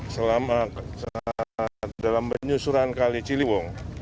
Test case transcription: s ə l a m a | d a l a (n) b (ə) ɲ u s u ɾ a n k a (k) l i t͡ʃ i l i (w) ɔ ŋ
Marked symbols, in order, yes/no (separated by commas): no, yes, no, yes